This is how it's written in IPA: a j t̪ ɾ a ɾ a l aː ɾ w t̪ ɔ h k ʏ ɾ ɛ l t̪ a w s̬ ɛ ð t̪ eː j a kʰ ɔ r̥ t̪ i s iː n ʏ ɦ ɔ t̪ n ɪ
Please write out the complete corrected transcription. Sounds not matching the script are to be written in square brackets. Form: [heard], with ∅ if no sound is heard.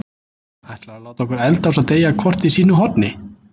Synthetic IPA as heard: a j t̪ [l] a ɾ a l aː [∅] w t̪ ɔ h k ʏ ɾ ɛ l t̪ a w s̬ [a] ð t̪ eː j a kʰ ɔ r̥ t̪ i s iː n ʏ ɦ ɔ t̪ n ɪ